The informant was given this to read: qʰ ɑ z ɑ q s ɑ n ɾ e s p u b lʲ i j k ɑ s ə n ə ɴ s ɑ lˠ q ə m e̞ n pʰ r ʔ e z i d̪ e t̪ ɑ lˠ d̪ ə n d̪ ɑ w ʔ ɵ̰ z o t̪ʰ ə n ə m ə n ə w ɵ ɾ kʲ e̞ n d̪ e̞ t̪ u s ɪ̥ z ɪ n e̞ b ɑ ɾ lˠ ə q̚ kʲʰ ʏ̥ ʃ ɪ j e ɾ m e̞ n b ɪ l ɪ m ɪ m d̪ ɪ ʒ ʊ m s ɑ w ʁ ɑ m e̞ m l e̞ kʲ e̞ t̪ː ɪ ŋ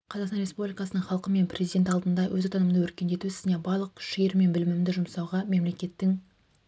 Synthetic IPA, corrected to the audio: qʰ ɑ z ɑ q s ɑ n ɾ e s p u b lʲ i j k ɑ s ə n ə ɴ χ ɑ lˠ q ə m e̞ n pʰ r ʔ e z i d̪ e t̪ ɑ lˠ d̪ ə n d̪ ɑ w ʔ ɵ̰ z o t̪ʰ ɑ n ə m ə n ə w ɵ ɾ kʲ e̞ n d̪ e̞ t̪ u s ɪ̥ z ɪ n e̞ b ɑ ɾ lˠ ə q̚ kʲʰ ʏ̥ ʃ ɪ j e ɾ m e̞ n b ɪ l ɪ m ɪ m d̪ ɪ ʒ ʊ m s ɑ w ʁ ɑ m e̞ m l e̞ kʲ e̞ t̪ː ɪ ŋ